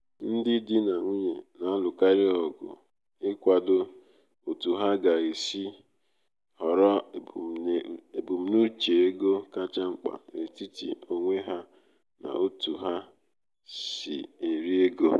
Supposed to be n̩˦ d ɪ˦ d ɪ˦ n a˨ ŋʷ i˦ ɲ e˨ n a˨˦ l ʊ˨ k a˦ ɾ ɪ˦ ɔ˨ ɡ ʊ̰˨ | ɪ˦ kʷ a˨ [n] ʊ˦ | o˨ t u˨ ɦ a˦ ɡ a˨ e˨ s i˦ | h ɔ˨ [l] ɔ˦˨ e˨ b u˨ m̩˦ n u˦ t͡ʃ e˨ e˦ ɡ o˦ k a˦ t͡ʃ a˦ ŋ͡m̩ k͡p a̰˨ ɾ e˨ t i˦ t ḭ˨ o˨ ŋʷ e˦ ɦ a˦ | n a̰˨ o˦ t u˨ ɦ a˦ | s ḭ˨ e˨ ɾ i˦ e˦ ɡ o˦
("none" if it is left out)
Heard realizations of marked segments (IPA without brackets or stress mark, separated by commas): d, ɾ